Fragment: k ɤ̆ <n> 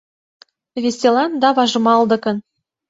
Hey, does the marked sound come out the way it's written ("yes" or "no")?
yes